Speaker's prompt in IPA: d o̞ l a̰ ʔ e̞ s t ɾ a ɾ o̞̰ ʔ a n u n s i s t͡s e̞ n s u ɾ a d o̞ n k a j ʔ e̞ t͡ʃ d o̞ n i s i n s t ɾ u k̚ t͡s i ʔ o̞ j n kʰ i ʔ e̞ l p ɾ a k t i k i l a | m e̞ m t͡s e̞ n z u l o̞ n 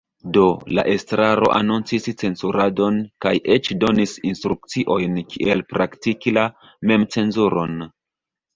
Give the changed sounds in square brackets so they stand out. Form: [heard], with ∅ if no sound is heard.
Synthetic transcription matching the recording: d o̞ l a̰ ʔ e̞ s t ɾ a ɾ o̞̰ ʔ a n u n [t͡s] i s t͡s e̞ n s u ɾ a d o̞ n k a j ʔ e̞ t͡ʃ d o̞ n i s i n s t ɾ u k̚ t͡s i ʔ o̞ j n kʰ i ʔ e̞ l p ɾ a k t i k i l a | m e̞ m t͡s e̞ n z u [ɾ] o̞ n